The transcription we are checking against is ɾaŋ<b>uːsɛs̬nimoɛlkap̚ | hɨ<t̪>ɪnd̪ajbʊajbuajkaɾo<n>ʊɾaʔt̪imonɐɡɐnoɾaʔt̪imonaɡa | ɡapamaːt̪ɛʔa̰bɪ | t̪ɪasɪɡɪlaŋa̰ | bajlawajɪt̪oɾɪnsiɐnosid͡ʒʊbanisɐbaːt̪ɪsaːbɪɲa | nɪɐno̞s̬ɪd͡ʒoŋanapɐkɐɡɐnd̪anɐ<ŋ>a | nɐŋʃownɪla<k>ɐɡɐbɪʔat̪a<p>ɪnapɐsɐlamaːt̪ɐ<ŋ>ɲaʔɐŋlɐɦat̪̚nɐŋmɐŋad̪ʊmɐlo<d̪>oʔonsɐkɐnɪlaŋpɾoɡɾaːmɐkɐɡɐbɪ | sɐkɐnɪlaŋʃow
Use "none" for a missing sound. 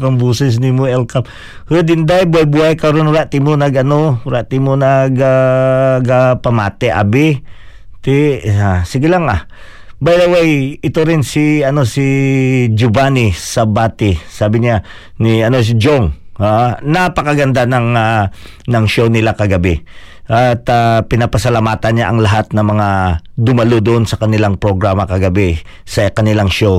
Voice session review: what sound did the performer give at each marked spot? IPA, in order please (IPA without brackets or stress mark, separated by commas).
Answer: b, d̪, n, ŋ, k, p, n, d̪